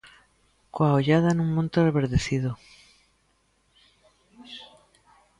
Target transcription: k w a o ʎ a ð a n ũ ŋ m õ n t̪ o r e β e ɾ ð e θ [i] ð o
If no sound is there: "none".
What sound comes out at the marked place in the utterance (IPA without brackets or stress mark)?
i